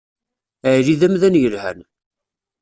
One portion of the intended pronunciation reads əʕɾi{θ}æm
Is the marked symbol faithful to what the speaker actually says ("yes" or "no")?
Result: no